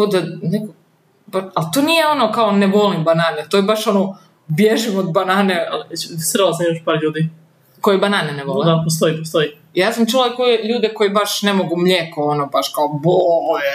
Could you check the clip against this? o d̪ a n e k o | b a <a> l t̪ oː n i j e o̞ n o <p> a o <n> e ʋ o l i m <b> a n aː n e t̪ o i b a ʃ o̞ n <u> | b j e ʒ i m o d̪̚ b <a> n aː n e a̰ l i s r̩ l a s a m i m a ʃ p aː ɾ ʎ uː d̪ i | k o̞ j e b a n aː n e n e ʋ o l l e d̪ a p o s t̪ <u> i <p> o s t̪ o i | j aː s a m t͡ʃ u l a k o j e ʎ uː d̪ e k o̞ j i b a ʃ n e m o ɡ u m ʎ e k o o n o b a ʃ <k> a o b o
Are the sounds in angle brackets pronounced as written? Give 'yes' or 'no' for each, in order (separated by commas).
yes, no, yes, yes, no, yes, no, yes, yes